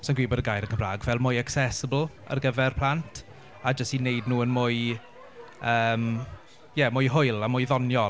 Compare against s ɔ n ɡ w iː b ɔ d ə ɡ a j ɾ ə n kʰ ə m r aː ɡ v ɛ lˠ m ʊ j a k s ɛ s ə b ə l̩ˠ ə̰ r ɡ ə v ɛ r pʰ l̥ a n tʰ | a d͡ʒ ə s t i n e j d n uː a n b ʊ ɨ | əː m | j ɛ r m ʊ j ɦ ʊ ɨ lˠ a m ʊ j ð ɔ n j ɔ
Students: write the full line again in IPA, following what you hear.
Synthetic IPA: s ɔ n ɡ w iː b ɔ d ə ɡ a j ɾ ə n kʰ ə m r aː ɡ v ɛ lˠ m ʊ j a k s ɛ s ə b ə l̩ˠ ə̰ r ɡ ə v ɛ r pʰ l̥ a n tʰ | a d͡ʒ ə s t i n e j d n uː ə n m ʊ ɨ | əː m | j ɛ m ʊ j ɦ ʊ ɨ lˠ a m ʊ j ð ɔ n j ɔ